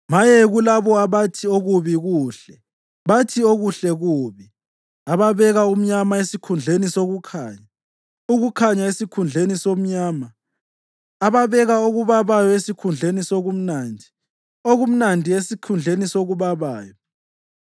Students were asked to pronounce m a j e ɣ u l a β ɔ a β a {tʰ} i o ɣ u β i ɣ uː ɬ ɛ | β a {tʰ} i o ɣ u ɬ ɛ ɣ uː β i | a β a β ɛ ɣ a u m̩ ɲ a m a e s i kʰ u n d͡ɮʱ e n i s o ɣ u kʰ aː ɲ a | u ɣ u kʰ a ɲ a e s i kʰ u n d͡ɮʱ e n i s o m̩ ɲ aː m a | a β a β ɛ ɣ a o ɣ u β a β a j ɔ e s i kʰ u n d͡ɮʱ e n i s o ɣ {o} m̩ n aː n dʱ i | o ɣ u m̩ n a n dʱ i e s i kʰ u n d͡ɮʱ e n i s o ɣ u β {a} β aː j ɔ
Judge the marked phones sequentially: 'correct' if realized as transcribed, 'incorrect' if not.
correct, correct, incorrect: u, correct

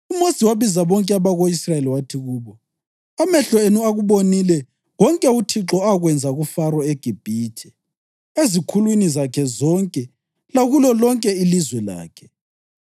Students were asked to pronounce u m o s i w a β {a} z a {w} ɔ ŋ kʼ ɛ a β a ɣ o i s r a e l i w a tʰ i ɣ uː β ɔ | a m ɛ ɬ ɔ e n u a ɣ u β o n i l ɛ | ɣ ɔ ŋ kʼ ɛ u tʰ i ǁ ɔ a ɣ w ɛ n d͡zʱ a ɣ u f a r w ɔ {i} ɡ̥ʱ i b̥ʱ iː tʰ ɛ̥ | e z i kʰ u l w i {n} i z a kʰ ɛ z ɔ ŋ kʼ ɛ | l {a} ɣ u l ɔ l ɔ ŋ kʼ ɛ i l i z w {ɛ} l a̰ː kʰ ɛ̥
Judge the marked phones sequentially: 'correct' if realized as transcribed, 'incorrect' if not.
incorrect: i, incorrect: β, incorrect: e, correct, correct, correct

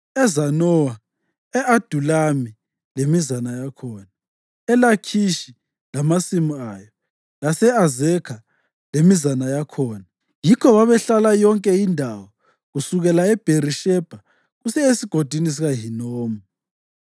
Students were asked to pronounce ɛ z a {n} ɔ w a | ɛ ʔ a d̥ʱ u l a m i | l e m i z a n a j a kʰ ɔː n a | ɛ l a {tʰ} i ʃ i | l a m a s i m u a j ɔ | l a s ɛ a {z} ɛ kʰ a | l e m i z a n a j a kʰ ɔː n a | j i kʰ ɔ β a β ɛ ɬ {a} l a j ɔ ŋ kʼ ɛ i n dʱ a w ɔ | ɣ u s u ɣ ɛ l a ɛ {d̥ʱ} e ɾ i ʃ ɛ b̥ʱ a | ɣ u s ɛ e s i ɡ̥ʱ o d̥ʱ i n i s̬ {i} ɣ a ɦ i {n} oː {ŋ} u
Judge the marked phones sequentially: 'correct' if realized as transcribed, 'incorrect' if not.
correct, incorrect: kʰ, correct, correct, incorrect: b̥ʱ, correct, correct, incorrect: m

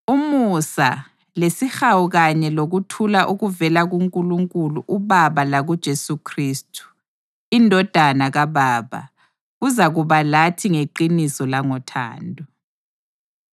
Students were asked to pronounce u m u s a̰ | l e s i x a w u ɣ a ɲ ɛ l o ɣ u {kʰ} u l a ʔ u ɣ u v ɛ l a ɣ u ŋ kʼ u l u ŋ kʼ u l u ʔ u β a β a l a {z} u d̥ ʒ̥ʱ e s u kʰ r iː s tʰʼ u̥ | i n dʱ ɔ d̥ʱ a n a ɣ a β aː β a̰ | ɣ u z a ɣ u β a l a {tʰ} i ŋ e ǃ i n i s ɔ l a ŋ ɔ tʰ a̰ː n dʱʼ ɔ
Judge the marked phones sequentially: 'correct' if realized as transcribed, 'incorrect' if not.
incorrect: tʰ, incorrect: ɣ, correct

